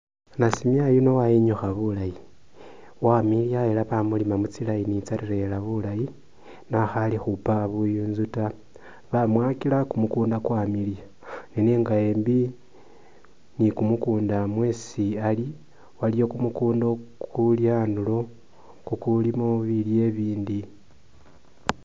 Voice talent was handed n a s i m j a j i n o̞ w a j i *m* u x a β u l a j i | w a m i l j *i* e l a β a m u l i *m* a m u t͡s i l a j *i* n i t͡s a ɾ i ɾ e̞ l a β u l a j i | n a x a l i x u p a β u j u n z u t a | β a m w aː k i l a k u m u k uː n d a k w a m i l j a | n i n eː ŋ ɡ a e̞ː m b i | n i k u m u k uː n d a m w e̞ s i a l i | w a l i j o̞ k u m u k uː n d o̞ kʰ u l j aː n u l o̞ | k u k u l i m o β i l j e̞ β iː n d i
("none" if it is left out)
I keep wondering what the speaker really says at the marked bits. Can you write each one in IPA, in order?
ɲ, a, m, i

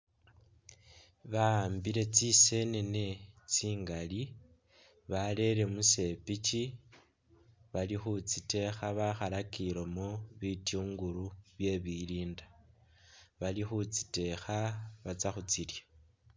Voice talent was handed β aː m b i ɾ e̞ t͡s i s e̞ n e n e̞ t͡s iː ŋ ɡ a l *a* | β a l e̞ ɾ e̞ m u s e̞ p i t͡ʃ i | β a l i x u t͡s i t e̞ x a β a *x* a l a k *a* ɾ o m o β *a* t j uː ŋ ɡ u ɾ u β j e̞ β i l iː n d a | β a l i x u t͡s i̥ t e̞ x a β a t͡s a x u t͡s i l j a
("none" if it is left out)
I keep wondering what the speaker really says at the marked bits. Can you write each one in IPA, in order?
i, x, i, i

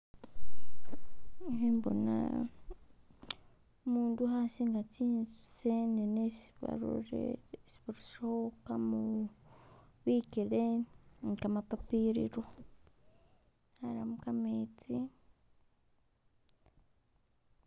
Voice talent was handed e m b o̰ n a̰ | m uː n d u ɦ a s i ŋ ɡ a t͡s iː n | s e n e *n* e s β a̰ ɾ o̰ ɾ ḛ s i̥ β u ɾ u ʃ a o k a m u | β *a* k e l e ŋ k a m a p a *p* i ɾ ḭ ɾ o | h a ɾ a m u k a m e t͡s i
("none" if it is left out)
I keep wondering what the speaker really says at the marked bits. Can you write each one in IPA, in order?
n, i, p

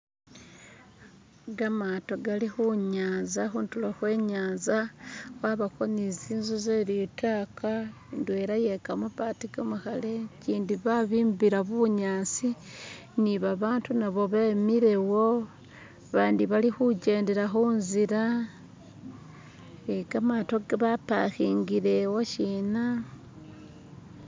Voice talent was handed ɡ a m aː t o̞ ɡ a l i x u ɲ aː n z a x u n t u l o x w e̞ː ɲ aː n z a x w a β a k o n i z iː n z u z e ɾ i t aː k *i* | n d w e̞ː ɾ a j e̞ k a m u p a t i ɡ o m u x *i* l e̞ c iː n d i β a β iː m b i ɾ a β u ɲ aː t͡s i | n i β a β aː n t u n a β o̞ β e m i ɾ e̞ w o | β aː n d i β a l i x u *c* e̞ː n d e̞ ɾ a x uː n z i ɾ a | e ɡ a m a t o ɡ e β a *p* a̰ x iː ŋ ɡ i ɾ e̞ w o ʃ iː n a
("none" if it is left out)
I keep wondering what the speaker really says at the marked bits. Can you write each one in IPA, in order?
a, a, ɟ, p

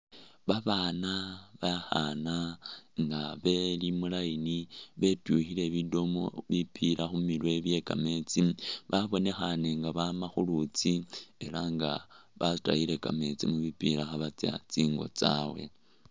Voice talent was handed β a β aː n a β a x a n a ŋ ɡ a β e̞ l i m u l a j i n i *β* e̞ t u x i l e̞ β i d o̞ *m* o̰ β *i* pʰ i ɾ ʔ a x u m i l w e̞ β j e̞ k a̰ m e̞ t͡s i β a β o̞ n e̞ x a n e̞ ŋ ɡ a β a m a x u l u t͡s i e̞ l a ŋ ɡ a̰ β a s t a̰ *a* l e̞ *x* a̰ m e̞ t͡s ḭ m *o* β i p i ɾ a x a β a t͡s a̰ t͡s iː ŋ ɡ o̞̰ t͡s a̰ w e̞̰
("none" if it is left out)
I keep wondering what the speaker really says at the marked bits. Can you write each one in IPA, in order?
β, m, i, i, k, u

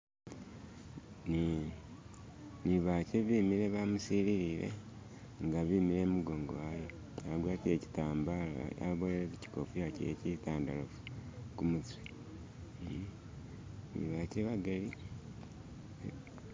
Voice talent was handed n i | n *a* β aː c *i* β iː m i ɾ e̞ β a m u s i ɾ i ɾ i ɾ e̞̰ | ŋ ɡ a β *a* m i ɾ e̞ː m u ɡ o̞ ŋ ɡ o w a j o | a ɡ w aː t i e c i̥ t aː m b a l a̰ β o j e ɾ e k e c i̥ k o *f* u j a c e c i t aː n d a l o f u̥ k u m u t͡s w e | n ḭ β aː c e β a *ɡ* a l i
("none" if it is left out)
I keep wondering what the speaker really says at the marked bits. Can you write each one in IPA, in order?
i, e, i, f, ɡ

